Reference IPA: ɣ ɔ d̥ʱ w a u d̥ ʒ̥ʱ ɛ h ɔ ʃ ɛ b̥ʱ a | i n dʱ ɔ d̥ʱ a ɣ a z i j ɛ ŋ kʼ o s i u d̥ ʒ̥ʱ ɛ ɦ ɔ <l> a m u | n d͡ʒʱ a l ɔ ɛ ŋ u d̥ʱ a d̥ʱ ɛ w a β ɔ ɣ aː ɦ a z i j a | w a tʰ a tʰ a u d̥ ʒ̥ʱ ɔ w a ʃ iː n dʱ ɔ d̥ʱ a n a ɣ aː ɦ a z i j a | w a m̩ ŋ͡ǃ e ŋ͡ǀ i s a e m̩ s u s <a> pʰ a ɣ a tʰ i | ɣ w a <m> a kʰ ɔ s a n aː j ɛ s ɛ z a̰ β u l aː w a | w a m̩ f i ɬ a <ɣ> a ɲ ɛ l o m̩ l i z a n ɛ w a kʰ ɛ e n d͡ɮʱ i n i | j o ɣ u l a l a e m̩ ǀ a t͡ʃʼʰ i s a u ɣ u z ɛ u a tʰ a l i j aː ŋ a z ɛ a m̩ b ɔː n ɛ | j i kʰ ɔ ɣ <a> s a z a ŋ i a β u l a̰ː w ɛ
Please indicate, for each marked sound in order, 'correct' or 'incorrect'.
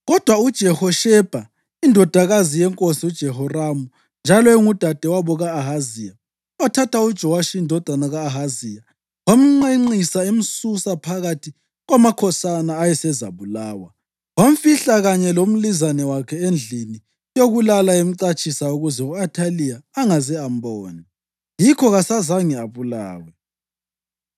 incorrect: r, correct, correct, correct, correct

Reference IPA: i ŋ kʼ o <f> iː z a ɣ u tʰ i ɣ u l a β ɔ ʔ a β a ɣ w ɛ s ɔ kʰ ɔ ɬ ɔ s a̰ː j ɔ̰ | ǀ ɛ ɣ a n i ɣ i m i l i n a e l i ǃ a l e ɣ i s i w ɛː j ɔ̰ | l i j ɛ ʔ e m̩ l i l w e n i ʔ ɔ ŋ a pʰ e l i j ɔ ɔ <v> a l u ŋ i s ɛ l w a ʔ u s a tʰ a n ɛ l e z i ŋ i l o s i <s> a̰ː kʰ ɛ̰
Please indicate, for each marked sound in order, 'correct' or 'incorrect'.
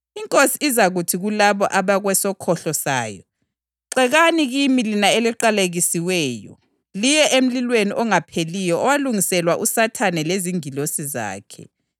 incorrect: s, incorrect: w, incorrect: z

